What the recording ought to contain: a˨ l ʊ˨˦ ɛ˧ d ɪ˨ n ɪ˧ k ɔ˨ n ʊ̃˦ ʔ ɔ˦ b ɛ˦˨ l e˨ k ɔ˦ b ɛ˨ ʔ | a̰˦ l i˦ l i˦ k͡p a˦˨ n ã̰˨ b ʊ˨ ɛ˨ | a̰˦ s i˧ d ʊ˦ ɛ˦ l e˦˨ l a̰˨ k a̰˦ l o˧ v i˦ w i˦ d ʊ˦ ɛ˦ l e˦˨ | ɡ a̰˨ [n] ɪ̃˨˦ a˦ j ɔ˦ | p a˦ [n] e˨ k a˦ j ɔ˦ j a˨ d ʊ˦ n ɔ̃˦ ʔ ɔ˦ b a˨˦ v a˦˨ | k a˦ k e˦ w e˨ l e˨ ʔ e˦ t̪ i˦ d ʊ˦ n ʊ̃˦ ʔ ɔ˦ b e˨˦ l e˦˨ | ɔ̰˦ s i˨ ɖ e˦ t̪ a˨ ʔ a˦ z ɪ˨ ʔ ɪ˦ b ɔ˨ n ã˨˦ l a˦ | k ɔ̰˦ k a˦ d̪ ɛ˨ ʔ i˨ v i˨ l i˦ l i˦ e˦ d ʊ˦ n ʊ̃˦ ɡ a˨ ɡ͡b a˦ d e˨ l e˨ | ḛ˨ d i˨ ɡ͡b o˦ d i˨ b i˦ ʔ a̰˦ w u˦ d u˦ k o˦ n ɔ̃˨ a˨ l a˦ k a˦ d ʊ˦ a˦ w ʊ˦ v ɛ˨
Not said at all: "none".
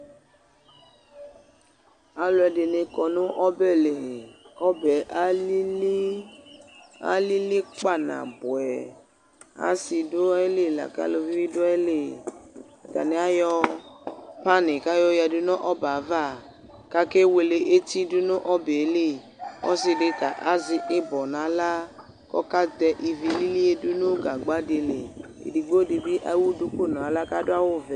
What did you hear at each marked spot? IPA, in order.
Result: n, n

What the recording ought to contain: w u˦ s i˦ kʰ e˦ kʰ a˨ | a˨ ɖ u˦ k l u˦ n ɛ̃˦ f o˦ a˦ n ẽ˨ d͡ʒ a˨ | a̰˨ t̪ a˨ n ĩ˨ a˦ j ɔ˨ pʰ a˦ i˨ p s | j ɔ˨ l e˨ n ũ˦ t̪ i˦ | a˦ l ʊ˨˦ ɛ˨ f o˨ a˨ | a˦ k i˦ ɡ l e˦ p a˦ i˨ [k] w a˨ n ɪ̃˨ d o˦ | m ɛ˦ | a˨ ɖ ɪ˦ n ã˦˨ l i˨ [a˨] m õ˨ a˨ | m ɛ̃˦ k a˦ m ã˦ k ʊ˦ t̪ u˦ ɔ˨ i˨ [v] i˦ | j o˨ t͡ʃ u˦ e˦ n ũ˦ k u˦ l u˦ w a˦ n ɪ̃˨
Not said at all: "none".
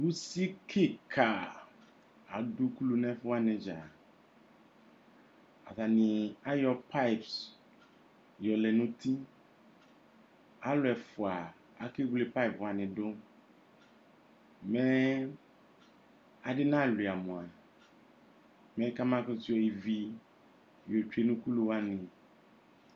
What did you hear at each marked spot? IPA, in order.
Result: p, a˨, v

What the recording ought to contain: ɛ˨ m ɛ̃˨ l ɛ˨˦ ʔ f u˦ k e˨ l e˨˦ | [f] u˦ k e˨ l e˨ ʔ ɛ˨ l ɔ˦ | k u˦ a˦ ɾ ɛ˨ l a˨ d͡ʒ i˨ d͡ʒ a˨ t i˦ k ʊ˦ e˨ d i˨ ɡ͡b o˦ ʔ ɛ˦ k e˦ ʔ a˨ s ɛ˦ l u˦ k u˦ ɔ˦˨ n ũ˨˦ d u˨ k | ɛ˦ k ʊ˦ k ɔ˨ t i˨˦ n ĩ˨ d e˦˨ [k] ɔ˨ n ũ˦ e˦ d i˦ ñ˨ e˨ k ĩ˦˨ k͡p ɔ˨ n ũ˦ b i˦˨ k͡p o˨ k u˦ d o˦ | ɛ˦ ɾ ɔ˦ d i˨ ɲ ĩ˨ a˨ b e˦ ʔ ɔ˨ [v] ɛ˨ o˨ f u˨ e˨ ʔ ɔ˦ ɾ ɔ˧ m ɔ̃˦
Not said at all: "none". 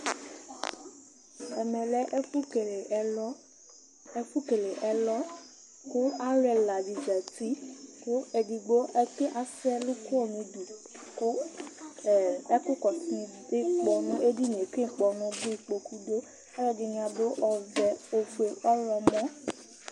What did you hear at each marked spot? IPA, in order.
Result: f, k͡p, v

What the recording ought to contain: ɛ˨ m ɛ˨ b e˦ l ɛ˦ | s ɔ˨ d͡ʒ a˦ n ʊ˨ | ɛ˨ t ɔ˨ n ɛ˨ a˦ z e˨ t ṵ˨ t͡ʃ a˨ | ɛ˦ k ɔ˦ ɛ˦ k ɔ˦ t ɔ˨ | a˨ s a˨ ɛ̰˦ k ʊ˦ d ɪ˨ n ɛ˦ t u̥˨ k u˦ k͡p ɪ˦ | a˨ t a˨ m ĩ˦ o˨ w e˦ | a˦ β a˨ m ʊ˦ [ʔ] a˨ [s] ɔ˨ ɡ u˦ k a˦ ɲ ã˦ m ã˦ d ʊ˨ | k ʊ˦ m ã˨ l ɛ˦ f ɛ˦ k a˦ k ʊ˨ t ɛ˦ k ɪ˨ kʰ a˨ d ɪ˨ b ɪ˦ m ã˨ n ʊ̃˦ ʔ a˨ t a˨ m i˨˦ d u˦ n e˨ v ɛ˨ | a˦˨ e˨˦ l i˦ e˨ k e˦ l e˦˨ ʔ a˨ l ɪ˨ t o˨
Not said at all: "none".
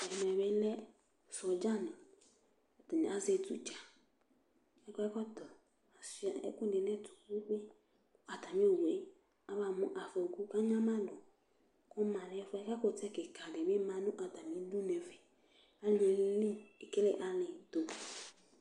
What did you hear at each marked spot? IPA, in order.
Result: ʔ, f

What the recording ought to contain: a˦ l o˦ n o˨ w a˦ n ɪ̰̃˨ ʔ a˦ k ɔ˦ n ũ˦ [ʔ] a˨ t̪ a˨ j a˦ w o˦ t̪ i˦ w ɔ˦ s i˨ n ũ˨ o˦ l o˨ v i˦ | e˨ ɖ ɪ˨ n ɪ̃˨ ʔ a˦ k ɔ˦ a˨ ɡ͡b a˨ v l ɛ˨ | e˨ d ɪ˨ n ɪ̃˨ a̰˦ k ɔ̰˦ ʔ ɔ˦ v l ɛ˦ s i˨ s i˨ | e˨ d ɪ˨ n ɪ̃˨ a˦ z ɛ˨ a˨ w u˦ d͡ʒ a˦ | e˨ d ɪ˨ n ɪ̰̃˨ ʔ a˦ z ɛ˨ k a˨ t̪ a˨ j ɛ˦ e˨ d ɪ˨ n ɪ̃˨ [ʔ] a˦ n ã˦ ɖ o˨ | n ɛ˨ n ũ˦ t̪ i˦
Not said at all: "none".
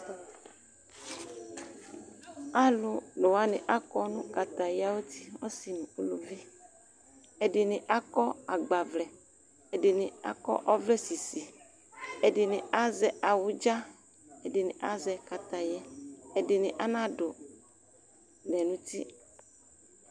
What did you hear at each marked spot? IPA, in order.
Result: k, ʔ

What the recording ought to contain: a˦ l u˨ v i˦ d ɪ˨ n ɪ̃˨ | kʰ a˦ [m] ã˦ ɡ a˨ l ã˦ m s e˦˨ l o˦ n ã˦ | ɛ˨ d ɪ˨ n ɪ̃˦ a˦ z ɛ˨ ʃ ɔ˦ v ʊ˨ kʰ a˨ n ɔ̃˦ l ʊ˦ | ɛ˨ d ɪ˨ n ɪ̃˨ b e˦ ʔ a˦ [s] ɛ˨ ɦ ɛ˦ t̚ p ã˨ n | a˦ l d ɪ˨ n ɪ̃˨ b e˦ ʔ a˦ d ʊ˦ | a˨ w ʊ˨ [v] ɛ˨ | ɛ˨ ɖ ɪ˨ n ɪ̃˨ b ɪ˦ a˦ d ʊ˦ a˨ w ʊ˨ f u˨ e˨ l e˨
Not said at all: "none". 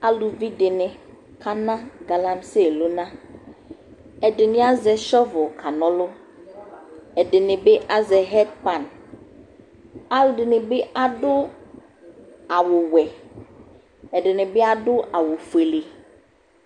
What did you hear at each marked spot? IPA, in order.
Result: n, z, w

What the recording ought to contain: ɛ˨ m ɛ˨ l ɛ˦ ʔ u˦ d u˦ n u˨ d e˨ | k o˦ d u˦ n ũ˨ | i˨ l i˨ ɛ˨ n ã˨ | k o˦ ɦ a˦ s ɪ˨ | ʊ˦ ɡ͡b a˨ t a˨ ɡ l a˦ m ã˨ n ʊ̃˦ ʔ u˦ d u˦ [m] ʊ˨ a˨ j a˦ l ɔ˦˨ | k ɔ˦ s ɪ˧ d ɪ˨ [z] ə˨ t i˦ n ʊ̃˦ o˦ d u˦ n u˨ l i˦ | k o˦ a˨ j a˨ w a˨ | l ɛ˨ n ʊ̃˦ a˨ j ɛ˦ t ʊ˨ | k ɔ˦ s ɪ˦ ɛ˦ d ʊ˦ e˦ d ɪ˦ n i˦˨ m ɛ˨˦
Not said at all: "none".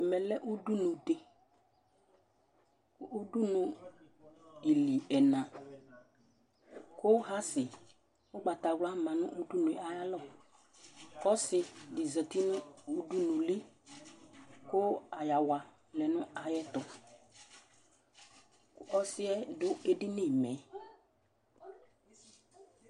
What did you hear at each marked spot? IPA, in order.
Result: n, z

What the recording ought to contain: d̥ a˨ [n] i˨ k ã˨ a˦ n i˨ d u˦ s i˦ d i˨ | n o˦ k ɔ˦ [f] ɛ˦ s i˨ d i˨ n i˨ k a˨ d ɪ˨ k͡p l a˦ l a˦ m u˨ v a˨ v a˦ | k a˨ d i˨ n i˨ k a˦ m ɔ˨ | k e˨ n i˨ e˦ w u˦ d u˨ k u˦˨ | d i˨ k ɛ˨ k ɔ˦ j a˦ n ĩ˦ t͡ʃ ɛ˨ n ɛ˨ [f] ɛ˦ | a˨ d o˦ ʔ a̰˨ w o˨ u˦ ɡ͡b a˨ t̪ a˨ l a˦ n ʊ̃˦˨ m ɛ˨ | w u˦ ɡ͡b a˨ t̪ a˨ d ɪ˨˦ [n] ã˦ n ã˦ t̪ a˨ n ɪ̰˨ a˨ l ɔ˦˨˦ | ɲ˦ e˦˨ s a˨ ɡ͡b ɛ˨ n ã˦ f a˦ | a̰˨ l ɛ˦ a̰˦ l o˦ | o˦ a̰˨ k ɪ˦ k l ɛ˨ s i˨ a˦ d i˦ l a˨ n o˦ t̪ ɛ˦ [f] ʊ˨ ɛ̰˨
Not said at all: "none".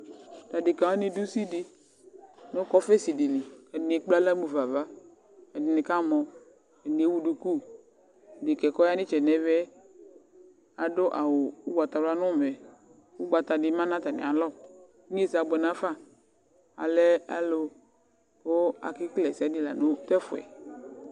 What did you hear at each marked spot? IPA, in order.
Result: d, f, v, m, f

